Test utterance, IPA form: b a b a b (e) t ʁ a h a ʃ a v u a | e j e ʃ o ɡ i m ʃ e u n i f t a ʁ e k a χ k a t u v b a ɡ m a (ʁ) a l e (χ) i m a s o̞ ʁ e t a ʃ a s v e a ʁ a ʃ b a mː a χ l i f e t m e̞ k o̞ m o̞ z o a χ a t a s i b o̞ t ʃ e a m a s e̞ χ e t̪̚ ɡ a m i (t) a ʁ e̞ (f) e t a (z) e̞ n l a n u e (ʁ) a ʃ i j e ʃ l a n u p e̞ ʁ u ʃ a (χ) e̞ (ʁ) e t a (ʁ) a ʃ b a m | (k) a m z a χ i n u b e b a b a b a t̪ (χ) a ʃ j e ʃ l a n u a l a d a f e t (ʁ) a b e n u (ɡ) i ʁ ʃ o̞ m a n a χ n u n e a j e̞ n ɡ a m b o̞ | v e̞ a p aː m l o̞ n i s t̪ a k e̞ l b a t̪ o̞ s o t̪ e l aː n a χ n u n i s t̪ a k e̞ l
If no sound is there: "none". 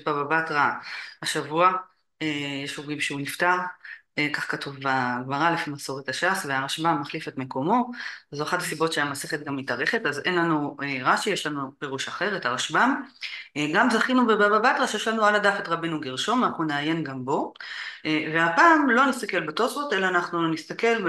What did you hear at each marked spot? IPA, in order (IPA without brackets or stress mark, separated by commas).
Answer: a, ʁ, f, t, χ, z, ʁ, χ, ʁ, ʁ, ɡ, ʁ, ʁ, ɡ